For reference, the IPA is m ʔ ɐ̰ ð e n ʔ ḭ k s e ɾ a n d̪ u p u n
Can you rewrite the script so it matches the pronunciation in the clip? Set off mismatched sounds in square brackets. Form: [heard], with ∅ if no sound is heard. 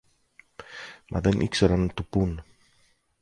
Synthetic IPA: m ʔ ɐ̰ ð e n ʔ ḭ k s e ɾ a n [t̪] u p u n